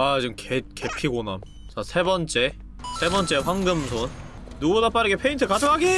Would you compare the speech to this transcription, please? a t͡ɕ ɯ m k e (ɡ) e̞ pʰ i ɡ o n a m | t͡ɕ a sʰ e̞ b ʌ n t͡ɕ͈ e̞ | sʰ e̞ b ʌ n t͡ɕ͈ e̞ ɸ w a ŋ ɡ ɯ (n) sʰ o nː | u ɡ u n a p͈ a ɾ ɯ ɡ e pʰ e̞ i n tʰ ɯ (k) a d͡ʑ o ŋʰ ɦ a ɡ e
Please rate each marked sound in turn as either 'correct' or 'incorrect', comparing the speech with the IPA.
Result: incorrect: k, incorrect: m, correct

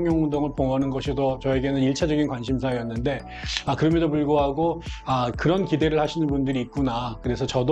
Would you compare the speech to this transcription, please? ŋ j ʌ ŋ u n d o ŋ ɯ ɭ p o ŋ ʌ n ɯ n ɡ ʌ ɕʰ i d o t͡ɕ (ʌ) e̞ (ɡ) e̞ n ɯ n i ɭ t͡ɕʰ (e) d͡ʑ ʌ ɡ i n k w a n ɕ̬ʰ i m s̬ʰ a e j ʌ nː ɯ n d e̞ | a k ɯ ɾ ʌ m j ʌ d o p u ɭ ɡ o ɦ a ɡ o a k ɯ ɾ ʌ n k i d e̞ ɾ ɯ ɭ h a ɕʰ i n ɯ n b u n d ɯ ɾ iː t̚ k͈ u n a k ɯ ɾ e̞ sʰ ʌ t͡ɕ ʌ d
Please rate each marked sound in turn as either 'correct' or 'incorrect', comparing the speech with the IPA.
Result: correct, correct, incorrect: a

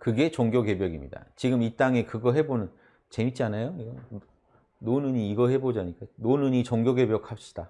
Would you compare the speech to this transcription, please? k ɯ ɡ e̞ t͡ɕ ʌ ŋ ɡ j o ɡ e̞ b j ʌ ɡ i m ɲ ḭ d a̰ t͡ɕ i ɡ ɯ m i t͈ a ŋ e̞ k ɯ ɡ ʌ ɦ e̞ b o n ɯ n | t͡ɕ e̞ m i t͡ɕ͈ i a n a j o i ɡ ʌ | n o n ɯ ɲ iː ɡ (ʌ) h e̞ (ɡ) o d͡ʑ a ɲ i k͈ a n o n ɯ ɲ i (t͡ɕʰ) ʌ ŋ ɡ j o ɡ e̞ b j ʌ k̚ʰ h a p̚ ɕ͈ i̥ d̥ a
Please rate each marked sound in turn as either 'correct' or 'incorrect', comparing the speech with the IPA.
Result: correct, incorrect: b, incorrect: t͡ɕ

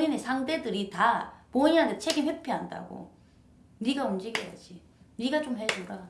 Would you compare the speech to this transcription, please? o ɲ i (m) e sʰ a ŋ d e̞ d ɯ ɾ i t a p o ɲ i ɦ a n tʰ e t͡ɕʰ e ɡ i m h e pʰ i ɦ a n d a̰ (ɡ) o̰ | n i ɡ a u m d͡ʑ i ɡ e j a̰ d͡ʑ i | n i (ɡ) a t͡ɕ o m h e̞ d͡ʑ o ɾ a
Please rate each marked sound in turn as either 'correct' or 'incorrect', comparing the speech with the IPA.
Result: incorrect: n, correct, correct

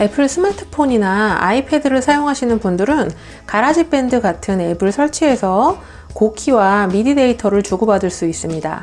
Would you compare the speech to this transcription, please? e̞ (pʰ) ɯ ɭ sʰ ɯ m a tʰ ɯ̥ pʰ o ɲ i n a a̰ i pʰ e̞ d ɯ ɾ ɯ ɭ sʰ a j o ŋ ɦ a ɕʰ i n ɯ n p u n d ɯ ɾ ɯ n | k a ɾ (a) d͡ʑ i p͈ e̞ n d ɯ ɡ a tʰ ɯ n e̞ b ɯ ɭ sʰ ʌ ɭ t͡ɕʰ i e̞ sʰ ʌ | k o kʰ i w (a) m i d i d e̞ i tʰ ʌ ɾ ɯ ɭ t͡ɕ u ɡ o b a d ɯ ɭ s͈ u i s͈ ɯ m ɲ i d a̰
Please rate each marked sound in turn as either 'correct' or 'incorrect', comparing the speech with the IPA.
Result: correct, correct, correct

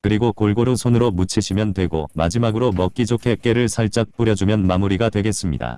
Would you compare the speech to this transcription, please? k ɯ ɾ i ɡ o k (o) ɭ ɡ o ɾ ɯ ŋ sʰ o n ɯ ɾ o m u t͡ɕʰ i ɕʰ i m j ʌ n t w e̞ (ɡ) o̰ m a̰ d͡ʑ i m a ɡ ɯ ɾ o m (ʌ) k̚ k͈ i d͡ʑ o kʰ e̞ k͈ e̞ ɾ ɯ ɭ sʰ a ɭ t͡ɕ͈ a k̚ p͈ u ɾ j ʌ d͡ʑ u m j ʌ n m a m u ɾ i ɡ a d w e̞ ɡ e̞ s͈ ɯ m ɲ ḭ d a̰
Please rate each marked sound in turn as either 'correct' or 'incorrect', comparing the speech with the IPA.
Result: correct, correct, correct

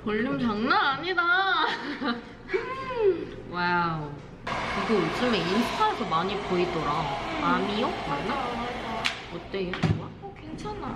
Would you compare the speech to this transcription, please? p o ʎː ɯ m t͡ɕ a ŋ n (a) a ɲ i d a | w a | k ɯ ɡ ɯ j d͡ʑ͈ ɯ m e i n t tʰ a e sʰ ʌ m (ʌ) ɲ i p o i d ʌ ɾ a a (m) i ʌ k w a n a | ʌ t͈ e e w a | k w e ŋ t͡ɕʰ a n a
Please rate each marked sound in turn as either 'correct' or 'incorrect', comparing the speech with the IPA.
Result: correct, incorrect: a, correct

